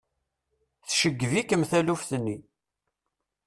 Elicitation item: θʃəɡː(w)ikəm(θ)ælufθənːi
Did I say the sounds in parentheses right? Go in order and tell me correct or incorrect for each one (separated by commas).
incorrect, correct